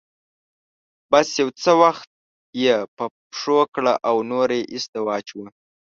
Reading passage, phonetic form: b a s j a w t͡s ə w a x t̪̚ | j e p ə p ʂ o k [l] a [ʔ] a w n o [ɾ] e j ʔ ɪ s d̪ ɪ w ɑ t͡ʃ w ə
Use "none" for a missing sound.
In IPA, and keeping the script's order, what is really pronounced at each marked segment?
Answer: ɽ, ʔ, ɾ

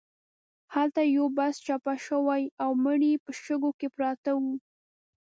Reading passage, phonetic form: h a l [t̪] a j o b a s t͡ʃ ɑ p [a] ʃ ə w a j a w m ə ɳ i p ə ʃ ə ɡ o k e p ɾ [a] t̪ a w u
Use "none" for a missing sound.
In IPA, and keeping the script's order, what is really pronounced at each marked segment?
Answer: t̪, a, ɑ

